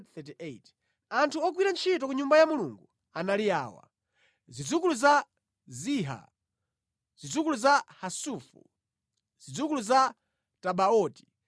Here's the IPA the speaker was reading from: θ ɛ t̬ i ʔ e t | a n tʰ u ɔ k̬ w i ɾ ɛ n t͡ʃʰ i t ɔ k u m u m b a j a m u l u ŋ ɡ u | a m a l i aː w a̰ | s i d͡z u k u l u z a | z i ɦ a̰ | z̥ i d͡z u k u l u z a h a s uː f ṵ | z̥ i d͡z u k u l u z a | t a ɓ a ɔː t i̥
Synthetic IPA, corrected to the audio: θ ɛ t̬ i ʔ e t | a n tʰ u ɔ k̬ w i ɾ a n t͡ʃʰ i t ɔ k u ɲ u m b a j a m u l u ŋ ɡ u | a n a l i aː w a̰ | z i d͡z u k u l u z a | z i ɦ a̰ | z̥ i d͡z u k u l u z a h a s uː f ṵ | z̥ i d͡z u k u l u z a | t a ɓ a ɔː t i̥